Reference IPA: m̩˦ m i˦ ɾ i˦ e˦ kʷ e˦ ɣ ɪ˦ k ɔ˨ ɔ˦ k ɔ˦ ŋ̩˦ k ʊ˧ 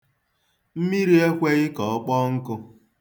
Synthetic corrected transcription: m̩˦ m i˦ ɾ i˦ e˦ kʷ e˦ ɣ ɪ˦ k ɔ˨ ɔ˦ k͡p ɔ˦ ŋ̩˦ k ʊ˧